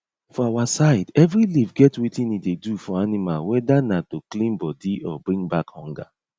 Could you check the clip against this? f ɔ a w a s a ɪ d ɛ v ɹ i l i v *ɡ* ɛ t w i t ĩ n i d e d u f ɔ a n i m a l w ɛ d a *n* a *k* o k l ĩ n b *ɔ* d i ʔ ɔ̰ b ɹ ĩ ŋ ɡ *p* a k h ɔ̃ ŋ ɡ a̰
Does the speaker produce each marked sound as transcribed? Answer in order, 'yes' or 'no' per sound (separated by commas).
yes, yes, no, yes, no